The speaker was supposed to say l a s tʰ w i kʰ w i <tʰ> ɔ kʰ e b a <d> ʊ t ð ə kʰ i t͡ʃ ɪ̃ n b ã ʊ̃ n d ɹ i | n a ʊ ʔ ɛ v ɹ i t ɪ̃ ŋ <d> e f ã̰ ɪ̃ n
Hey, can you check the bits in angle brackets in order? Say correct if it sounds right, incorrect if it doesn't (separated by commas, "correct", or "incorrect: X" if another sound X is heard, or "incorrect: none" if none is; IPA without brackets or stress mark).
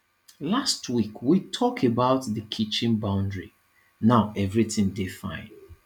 correct, incorrect: none, correct